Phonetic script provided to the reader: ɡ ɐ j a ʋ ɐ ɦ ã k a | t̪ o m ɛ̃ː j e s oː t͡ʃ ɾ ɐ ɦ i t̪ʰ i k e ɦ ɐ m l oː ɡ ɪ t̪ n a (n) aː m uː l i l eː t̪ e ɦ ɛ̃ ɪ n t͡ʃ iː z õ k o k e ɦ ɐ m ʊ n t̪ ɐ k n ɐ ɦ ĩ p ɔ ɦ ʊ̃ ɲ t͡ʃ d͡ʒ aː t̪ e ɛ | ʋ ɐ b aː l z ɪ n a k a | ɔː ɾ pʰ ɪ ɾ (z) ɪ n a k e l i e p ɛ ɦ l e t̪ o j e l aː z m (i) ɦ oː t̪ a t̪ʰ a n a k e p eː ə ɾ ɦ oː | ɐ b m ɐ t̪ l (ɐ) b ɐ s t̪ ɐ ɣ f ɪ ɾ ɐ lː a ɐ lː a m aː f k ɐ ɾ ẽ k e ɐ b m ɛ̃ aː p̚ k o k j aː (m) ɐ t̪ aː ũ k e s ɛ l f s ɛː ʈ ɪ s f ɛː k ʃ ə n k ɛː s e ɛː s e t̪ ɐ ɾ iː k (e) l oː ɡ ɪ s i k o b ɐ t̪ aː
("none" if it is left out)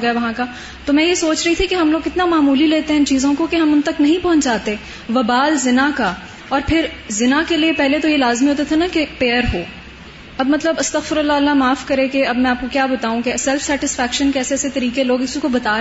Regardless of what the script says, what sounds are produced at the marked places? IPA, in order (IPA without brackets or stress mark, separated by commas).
m, z, i, ə, b, e